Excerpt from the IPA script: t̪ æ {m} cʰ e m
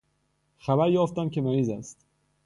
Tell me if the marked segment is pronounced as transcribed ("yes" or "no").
yes